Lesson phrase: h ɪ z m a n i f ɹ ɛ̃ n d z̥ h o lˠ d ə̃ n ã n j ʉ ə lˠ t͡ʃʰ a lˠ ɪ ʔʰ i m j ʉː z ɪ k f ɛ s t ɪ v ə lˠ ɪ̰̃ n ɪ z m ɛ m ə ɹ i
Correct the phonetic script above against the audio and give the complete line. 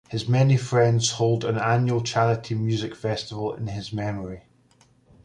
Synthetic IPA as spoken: h ɪ z m ɛ n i f ɹ ɛ̃ n d z̥ h o lˠ d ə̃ n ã n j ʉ ə lˠ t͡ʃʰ a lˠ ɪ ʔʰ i m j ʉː z ɪ k f ɛ s t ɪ v ə lˠ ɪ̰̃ n ɪ z m ɛ m ə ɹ i